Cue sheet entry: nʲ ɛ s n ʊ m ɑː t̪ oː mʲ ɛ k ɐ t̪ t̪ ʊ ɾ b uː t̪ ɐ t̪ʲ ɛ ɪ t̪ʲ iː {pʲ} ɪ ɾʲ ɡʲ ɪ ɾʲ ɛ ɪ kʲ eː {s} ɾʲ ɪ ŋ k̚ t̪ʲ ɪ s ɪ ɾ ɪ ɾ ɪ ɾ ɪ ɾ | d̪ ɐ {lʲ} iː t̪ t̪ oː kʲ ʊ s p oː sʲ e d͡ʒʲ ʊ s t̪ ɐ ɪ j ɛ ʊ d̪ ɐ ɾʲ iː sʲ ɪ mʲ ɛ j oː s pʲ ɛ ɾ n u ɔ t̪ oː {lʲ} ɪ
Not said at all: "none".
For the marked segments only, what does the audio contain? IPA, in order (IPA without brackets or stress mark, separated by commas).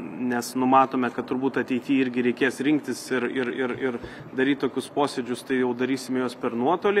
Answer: none, s, ɾʲ, lʲ